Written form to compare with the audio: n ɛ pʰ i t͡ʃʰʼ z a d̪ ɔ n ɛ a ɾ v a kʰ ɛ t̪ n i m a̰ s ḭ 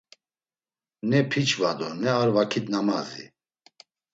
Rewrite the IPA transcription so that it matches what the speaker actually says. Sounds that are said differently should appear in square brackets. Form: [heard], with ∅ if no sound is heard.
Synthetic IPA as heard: n ɛ pʰ i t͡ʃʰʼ [v] a d̪ ɔ n ɛ a ɾ v a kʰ [i] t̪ n [a] m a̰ [z] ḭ